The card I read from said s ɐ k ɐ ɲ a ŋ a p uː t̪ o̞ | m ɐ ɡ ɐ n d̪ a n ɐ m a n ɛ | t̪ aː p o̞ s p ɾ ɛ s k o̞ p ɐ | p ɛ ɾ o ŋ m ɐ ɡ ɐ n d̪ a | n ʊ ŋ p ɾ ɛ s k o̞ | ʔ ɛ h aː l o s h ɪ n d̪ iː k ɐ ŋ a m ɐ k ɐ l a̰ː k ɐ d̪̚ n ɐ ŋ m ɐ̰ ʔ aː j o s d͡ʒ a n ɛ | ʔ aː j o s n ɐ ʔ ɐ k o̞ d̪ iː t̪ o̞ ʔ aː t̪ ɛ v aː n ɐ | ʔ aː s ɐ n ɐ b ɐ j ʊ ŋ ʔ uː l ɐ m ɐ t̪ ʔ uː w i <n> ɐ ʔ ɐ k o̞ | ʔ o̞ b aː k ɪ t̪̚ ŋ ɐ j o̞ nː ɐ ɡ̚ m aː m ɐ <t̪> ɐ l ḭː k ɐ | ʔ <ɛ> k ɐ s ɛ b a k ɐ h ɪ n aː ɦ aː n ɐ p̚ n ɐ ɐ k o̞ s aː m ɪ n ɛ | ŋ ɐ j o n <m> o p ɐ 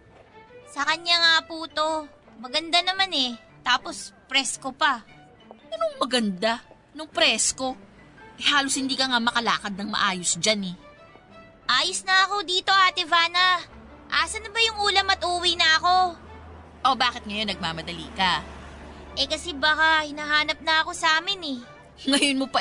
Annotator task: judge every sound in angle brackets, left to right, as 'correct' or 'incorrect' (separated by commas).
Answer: correct, incorrect, correct, correct